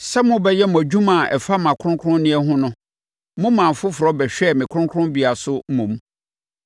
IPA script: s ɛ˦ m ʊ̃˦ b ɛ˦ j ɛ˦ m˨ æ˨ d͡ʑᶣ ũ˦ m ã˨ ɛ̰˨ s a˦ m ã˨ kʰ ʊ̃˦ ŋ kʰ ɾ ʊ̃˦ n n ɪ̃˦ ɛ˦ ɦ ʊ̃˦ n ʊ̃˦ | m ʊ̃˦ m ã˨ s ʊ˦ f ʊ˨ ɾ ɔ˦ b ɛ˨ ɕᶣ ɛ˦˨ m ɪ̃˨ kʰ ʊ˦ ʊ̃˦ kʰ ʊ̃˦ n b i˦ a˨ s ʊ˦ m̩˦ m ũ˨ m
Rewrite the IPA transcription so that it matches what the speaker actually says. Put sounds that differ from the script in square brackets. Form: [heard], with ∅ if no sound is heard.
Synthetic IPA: s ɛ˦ m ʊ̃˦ b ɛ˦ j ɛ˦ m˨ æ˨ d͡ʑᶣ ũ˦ m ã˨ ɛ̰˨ [f] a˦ m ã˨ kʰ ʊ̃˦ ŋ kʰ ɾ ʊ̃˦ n n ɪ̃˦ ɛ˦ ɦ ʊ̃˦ n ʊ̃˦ | m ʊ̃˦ m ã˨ [f] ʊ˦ f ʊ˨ ɾ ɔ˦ b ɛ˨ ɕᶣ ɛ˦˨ m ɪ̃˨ kʰ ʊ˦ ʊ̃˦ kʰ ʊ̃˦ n b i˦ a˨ s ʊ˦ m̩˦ m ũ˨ m